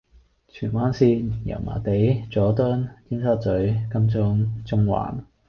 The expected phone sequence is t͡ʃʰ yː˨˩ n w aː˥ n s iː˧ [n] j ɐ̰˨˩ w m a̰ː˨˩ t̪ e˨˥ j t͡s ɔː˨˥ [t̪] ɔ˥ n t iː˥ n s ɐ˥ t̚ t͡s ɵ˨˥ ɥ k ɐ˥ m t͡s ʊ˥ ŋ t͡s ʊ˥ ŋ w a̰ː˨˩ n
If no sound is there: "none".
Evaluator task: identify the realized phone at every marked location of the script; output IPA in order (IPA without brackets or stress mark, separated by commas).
n, t̪